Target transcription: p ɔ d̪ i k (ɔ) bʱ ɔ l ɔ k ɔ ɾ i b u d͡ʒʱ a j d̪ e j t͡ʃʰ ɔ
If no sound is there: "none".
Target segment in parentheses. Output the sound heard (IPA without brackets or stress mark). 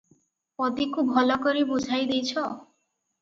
u